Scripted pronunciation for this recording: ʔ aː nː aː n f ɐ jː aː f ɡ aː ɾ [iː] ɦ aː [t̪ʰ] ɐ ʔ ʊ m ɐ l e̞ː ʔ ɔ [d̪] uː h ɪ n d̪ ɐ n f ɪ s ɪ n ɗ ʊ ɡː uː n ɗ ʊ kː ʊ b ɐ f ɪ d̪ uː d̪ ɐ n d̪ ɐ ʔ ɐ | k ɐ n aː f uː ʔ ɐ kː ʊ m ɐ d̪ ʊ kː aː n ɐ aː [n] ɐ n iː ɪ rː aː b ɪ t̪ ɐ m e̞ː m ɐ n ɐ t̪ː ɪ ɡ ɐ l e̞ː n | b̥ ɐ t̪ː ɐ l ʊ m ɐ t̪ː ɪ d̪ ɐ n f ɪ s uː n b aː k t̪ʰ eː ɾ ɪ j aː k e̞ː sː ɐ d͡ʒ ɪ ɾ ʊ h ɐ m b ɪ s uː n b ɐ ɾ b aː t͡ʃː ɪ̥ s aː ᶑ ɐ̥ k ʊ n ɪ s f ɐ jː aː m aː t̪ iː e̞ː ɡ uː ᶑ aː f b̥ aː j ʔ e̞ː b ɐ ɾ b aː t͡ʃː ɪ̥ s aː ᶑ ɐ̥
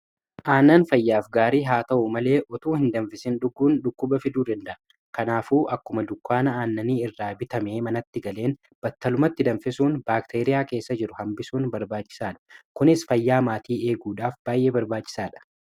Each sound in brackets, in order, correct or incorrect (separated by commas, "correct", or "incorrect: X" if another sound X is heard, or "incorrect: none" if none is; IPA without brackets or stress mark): correct, incorrect: t̪, incorrect: t̪, incorrect: nː